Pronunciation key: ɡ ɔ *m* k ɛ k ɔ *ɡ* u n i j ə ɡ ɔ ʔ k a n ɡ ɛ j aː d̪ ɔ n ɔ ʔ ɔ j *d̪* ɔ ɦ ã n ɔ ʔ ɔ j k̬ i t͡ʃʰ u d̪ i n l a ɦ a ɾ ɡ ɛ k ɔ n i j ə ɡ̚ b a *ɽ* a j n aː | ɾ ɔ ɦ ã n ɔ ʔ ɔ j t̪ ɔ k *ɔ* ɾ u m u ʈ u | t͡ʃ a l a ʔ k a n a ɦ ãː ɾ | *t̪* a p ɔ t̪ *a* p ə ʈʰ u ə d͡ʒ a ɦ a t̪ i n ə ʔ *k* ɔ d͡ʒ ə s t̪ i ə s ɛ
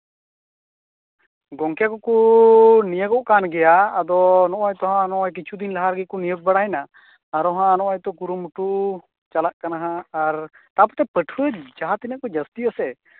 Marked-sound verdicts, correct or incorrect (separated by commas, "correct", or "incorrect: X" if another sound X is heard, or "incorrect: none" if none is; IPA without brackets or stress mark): incorrect: ŋ, incorrect: k, incorrect: t̪, correct, incorrect: u, correct, incorrect: ɛ, correct